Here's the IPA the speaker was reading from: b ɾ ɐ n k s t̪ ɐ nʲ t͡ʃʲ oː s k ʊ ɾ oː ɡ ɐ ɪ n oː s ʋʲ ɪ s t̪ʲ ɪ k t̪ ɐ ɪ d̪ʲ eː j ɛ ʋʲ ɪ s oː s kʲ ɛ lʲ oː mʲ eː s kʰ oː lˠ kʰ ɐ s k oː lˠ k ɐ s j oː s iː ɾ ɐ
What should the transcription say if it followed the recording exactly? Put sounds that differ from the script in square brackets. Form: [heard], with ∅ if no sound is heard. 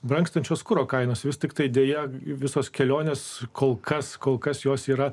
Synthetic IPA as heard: b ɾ ɐ [ŋ] k s t̪ ɐ nʲ t͡ʃʲ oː s k ʊ ɾ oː [k] ɐ ɪ n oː s ʋʲ ɪ s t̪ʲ ɪ k t̪ ɐ ɪ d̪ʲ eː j ɛ ʋʲ ɪ s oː s kʲ ɛ lʲ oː [nʲ] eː s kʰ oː lˠ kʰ ɐ s k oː lˠ k ɐ s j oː s iː ɾ ɐ

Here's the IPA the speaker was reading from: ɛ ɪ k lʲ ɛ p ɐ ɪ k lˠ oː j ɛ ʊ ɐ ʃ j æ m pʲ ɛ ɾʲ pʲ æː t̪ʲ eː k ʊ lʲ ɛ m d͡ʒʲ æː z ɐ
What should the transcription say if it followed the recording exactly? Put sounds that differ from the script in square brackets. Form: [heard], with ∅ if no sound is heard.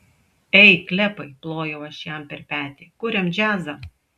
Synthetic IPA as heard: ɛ ɪ k lʲ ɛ p ɐ ɪ [p] lˠ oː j ɛ ʊ ɐ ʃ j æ m pʲ ɛ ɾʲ pʲ æː t̪ʲ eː k ʊ [ɾʲ] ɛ m d͡ʒʲ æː z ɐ

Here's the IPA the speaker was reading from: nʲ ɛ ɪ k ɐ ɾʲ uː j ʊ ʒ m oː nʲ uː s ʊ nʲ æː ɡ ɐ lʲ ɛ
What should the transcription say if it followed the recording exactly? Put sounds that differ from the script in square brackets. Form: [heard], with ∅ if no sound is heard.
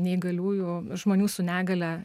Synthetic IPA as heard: nʲ ɛ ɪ [ɡ] ɐ [lʲ] uː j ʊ ʒ m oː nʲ uː s ʊ nʲ æː ɡ ɐ lʲ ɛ

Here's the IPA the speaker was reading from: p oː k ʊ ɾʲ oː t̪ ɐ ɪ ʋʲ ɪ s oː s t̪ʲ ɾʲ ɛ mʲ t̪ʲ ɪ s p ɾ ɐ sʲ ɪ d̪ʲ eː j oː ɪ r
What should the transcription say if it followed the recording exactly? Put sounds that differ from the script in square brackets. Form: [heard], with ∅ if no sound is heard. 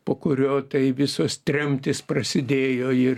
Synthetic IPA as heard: p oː k ʊ ɾʲ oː t̪ ɐ ɪ ʋʲ ɪ s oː s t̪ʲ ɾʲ ɛ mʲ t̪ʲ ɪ s p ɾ ɐ sʲ ɪ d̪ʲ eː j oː ɪ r

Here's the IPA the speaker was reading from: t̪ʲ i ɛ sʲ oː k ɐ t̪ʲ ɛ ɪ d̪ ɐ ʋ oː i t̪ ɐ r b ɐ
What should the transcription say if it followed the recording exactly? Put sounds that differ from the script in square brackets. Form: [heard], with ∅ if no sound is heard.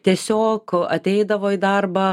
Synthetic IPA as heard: t̪ʲ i ɛ sʲ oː k ɐ t̪ʲ ɛ ɪ d̪ ɐ ʋ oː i [d̪] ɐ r b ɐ

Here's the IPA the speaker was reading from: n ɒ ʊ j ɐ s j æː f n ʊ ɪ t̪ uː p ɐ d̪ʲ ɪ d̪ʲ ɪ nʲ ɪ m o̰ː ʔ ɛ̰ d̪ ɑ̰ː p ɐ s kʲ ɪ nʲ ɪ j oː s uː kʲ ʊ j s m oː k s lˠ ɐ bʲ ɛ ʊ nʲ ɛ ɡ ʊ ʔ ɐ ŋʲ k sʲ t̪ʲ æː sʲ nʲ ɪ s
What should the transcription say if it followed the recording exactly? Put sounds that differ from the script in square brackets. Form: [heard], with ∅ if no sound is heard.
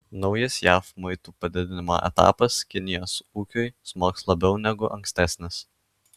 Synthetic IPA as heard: n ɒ ʊ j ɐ s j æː f [m] ʊ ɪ t̪ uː p ɐ d̪ʲ ɪ d̪ʲ ɪ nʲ ɪ m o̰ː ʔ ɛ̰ [t̪] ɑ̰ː p ɐ s kʲ ɪ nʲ ɪ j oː s uː kʲ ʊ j s m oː k s lˠ ɐ bʲ ɛ ʊ nʲ ɛ ɡ ʊ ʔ ɐ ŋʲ k sʲ t̪ʲ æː sʲ nʲ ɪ s

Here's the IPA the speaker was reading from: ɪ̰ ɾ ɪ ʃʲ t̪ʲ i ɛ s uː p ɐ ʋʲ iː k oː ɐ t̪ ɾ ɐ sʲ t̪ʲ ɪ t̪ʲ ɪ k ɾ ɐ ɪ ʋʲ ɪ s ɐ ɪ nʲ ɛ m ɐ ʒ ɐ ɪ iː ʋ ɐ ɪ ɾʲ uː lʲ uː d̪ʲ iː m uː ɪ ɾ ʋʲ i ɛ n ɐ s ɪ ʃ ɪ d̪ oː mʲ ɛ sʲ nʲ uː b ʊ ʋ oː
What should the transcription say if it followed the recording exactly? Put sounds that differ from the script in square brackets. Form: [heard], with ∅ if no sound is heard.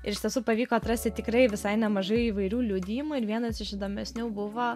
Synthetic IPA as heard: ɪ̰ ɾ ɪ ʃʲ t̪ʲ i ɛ s uː p ɐ ʋʲ iː k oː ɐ t̪ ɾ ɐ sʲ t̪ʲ ɪ t̪ʲ ɪ k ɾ ɐ ɪ ʋʲ ɪ s ɐ ɪ nʲ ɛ m ɐ ʒ ɐ ɪ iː ʋ ɐ ɪ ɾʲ uː lʲ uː d̪ʲ iː m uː ɪ ɾ ʋʲ i ɛ n ɐ s ɪ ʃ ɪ d̪ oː mʲ ɛ sʲ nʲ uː b ʊ ʋ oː

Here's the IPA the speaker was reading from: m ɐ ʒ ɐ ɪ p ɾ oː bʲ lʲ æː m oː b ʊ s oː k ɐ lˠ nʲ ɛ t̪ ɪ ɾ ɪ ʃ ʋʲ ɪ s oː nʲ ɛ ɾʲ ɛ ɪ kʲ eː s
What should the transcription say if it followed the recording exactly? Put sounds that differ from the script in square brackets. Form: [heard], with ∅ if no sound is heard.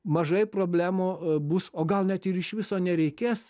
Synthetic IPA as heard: m ɐ ʒ ɐ ɪ p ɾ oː bʲ lʲ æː m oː b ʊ s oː [ɡ] ɐ lˠ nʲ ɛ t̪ ɪ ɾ ɪ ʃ ʋʲ ɪ s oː nʲ ɛ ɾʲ ɛ ɪ kʲ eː s

